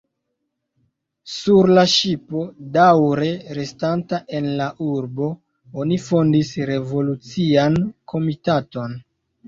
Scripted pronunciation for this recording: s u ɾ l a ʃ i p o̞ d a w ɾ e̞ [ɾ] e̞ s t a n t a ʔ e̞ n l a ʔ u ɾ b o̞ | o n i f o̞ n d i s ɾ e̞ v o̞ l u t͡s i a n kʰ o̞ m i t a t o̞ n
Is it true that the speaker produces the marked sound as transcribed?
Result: yes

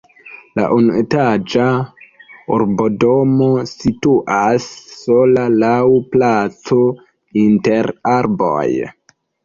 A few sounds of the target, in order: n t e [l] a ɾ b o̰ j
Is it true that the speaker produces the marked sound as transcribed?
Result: no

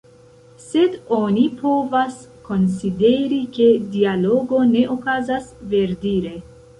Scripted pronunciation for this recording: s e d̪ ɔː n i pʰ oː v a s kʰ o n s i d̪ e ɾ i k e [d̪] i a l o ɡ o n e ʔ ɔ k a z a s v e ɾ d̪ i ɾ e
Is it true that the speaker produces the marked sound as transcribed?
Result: yes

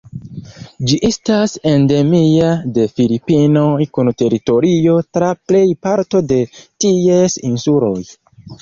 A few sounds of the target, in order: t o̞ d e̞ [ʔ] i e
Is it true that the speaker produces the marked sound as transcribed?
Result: no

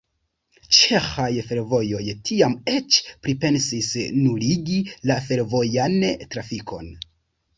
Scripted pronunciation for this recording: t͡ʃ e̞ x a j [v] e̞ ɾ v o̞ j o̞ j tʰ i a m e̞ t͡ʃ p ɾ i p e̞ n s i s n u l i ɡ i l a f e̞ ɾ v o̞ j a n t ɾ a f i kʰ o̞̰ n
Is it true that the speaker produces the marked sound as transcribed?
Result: no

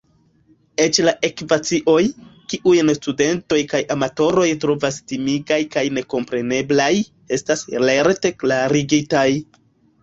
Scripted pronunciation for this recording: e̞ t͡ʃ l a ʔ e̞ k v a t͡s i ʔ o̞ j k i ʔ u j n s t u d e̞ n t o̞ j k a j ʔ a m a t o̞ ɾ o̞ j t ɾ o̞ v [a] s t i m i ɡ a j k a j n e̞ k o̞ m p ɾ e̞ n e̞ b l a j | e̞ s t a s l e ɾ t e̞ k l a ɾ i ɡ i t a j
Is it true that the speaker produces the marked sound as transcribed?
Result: yes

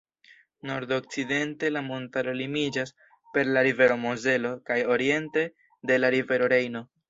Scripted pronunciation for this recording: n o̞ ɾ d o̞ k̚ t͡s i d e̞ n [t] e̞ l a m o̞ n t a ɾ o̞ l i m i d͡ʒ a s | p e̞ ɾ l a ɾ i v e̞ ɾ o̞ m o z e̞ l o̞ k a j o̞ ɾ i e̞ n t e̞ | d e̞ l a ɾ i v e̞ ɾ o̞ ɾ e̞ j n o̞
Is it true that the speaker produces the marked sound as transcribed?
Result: yes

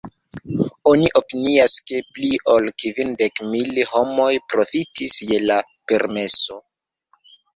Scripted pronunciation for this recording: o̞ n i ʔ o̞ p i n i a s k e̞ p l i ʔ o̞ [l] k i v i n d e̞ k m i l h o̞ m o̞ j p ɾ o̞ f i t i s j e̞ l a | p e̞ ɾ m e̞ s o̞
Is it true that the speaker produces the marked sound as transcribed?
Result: yes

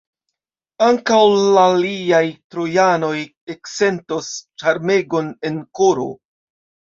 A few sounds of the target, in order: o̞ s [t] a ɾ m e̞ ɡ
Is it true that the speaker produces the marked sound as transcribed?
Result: no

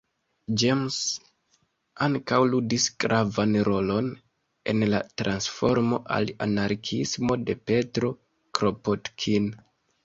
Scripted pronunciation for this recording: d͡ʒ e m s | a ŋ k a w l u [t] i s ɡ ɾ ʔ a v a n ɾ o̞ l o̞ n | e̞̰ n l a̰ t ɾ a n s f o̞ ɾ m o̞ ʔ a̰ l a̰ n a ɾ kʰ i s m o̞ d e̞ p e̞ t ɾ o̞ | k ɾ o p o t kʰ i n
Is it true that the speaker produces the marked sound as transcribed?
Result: no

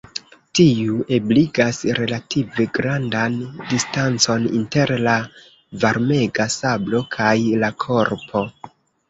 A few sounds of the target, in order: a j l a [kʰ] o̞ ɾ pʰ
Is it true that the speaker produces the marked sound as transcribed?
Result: yes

